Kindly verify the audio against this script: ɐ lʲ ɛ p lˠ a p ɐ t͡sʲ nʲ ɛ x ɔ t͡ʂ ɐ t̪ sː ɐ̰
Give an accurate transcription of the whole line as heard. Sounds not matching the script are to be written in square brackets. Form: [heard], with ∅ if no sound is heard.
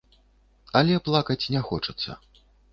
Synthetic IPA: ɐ lʲ ɛ p lˠ a [k] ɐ t͡sʲ nʲ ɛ x ɔ t͡ʂ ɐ t̪ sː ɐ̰